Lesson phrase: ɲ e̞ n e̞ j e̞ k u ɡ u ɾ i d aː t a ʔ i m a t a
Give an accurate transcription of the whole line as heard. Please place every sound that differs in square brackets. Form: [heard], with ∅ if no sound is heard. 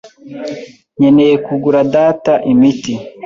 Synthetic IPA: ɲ e̞ n e̞ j e̞ k u ɡ u ɾ [a] d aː t a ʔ i m [i] t [i]